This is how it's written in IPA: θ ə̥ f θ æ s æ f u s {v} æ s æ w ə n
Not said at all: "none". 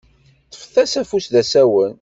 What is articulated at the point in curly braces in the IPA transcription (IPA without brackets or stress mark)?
ð